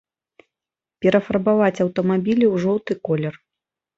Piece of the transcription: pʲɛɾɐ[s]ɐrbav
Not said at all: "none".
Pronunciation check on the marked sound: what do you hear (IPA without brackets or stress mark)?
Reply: f